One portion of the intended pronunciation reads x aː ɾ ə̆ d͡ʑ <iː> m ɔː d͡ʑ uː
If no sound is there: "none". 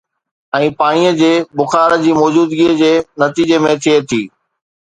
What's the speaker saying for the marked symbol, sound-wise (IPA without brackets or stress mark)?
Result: iː